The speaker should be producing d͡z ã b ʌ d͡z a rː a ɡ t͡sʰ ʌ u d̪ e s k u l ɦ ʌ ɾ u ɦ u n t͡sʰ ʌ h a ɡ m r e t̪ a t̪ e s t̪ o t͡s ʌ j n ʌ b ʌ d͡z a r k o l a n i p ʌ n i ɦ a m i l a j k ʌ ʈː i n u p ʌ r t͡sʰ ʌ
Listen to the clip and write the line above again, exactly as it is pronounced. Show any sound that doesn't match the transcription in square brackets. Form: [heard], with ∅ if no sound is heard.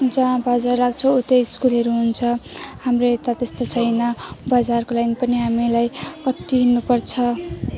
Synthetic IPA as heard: d͡z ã b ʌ d͡z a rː a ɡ t͡sʰ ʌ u [t̪] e s k u l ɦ ʌ ɾ u ɦ u n t͡sʰ ʌ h a [∅] m r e t̪ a t̪ e s t̪ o [t͡sʰ] ʌ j n ʌ b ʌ d͡z a r k o l a n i p ʌ n i ɦ a m i l a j k ʌ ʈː i n u p ʌ r t͡sʰ ʌ